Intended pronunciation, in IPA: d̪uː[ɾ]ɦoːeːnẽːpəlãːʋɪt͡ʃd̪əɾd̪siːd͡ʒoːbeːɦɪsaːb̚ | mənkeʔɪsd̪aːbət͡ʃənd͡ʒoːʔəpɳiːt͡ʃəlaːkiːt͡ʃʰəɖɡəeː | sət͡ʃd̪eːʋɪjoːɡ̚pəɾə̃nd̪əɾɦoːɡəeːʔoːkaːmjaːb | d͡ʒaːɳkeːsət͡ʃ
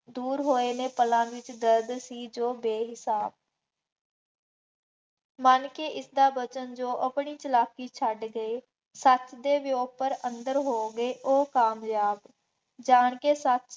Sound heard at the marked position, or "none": ɾ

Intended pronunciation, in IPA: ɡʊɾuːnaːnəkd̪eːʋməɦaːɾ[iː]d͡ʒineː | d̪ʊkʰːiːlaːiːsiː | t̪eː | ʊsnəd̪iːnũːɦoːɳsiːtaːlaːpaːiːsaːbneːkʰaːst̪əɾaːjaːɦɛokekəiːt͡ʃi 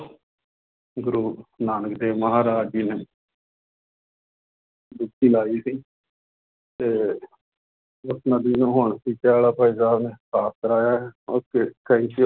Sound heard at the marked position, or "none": aː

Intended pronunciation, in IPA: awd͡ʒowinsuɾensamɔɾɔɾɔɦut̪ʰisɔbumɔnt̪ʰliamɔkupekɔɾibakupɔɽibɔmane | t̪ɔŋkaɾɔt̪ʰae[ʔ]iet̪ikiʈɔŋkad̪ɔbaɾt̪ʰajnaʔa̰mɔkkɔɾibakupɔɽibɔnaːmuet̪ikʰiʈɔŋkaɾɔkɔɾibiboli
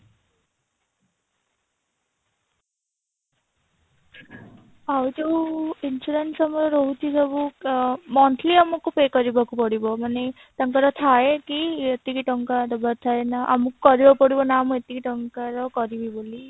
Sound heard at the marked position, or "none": k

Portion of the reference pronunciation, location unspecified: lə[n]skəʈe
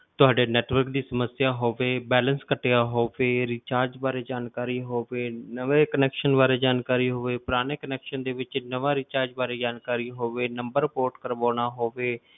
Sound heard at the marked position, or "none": n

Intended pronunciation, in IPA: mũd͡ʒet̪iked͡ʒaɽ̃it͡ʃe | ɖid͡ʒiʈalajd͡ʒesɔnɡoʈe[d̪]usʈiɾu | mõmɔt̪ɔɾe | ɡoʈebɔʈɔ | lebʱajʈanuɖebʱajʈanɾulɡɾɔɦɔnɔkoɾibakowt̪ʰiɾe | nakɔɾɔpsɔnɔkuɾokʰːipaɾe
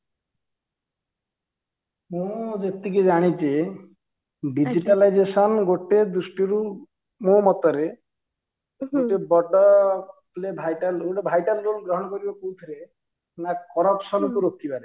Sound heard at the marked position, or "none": d̪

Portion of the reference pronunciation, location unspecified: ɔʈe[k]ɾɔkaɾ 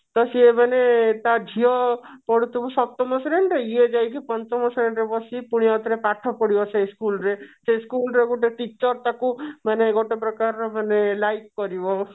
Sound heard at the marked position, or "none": p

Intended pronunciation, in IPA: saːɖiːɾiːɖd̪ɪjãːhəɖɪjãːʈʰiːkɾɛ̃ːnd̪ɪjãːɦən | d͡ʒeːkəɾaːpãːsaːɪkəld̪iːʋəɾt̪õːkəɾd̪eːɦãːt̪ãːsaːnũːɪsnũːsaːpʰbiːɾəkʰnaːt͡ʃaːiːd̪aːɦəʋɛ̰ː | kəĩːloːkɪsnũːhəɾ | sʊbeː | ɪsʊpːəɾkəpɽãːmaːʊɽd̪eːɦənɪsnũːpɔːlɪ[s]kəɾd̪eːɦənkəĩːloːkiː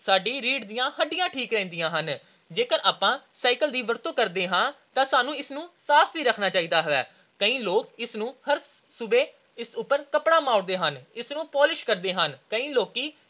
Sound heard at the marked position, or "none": ʃ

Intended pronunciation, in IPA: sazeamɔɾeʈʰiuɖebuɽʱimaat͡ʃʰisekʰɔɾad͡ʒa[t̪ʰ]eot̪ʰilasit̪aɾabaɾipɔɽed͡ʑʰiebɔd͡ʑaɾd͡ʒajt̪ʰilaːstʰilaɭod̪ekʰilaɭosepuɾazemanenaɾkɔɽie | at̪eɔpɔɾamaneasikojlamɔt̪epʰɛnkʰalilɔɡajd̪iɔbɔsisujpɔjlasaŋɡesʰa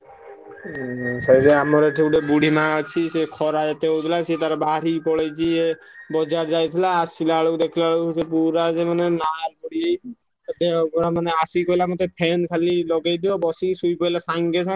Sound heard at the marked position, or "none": t̪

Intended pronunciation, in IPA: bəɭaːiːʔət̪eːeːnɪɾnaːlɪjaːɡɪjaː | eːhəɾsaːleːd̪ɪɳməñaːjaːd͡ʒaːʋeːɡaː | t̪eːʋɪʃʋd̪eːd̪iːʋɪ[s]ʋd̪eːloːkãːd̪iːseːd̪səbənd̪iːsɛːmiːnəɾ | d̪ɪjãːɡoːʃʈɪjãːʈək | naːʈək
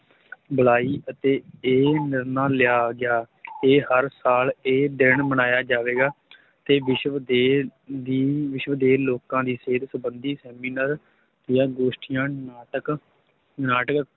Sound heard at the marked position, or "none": ʃ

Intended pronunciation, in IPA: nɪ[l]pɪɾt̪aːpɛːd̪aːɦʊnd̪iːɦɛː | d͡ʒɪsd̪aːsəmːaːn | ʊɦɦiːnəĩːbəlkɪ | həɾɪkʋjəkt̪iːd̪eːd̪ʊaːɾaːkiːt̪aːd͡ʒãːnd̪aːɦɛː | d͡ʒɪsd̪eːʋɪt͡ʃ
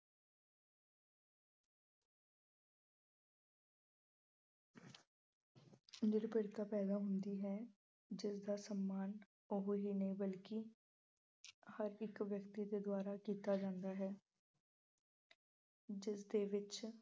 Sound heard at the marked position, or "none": ɾ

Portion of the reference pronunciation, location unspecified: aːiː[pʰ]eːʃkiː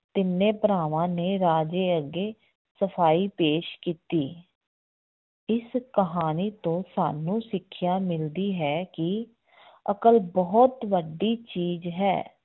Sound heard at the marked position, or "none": p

